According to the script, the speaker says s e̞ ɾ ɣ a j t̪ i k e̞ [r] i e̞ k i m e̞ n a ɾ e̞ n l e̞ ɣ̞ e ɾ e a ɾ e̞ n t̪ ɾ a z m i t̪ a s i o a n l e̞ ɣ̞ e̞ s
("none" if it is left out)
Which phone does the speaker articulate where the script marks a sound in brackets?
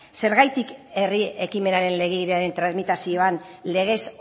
r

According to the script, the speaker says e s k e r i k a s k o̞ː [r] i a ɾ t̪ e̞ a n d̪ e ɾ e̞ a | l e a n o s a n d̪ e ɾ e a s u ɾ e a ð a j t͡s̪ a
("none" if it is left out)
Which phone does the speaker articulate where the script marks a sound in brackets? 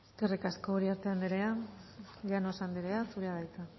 ɾ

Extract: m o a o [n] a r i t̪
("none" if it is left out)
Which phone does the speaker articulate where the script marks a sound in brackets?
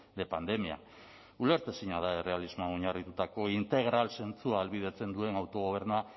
ɲ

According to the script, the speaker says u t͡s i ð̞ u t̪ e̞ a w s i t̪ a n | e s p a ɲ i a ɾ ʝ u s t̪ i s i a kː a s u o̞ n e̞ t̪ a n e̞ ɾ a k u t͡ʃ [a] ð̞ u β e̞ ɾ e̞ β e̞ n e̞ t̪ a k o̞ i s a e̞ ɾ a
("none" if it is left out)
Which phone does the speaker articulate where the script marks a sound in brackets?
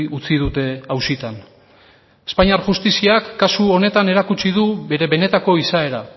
i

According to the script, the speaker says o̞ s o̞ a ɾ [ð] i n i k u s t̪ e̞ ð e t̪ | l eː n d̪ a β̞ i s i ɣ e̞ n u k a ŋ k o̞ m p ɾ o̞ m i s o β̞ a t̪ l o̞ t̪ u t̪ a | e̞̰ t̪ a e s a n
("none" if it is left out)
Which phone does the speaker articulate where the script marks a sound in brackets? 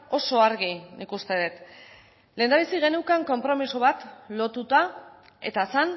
ɣ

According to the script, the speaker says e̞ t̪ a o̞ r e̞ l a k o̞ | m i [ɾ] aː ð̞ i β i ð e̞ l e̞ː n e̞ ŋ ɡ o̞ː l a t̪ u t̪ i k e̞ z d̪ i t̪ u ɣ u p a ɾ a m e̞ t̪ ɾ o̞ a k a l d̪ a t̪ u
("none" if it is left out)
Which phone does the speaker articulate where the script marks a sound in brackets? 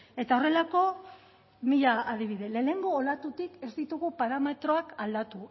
ʎ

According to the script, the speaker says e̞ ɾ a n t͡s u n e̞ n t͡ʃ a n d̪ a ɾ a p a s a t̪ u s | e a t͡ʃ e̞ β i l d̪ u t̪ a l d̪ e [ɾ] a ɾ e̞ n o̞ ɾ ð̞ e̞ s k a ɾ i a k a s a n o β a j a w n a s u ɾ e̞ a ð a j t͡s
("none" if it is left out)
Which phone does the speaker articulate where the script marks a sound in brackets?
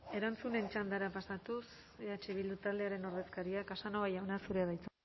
none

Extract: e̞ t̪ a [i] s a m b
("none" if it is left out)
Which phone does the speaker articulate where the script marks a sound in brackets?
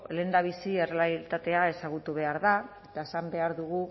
e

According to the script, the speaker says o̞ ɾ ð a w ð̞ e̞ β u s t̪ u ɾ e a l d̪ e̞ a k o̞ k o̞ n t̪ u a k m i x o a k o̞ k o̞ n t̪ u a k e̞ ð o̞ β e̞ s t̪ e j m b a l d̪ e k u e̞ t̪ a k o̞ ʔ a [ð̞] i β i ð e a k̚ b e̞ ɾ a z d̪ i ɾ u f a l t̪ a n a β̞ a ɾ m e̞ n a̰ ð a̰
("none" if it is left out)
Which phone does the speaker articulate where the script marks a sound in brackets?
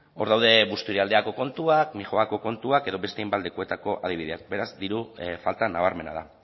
ð̞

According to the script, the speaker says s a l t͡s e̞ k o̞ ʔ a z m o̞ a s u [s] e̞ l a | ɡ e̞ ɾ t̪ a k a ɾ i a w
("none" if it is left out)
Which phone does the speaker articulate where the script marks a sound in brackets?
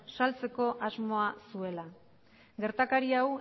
none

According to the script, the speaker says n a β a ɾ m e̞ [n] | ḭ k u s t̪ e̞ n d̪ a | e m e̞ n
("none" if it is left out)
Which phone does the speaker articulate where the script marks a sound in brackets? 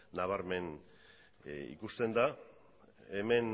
n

